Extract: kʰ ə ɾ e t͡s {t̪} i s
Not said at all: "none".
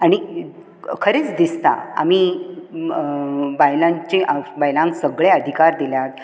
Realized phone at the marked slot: d̪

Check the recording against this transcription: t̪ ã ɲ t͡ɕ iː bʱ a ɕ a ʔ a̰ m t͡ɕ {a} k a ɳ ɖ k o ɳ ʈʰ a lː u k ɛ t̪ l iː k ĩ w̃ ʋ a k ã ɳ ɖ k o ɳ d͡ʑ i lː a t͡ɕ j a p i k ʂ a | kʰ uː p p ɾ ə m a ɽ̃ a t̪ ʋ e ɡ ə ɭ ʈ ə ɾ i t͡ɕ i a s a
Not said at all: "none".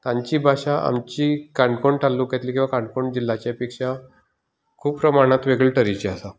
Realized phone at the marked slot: i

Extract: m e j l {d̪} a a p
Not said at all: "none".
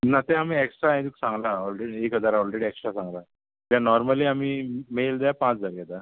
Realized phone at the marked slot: d̪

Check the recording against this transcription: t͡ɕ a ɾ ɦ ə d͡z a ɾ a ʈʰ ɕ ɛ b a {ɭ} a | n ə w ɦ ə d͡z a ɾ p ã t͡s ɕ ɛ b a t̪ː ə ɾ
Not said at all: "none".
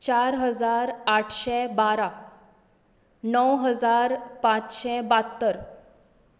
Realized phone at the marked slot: ɾ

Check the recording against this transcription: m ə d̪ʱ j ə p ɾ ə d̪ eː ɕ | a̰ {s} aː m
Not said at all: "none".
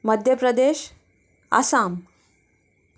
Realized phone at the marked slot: s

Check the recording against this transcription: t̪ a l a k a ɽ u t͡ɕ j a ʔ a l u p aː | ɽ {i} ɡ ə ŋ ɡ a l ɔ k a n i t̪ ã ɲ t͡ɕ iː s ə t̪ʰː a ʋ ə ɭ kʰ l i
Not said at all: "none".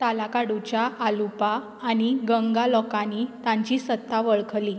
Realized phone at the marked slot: i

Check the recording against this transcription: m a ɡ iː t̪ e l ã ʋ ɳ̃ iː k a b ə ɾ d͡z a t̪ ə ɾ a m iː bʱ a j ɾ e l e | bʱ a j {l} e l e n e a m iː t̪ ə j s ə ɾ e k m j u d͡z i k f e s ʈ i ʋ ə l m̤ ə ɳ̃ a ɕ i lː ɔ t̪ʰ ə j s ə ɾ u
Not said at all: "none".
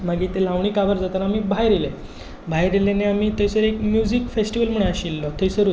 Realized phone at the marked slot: ɾ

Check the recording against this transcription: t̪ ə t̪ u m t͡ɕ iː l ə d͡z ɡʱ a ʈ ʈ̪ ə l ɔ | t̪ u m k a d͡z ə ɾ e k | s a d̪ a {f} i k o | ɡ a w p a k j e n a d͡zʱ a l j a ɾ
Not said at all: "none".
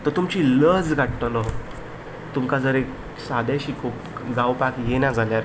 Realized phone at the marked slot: ɕ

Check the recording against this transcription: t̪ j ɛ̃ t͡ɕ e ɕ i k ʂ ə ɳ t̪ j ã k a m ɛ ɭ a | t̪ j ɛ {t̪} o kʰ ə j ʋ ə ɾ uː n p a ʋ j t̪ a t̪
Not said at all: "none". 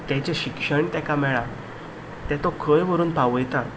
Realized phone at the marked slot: t̪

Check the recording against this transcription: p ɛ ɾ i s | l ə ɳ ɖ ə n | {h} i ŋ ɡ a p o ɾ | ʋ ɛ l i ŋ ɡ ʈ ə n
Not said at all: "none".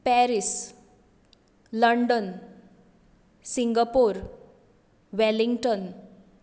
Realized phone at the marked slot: s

